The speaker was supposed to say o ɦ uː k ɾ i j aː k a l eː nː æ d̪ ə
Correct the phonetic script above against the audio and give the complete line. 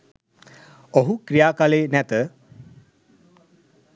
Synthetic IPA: o ɦ u k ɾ i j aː k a l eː n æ t̪ ə